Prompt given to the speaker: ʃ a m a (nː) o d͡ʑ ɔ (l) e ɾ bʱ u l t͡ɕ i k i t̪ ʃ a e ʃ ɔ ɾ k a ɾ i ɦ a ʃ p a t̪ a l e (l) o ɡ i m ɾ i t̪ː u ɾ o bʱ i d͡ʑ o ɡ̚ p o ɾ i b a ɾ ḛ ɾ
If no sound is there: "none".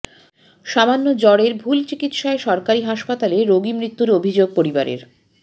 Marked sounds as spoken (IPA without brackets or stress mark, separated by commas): nː, ɽ, ɾ